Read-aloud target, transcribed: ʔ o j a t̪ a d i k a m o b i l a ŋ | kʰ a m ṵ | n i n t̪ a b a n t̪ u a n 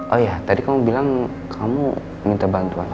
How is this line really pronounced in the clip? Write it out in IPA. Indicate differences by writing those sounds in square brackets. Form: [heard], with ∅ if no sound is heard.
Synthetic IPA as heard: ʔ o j a t̪ a d i k a m [u] b i l a ŋ | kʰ a m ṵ | [m] i n t̪ a b a n t̪ u a n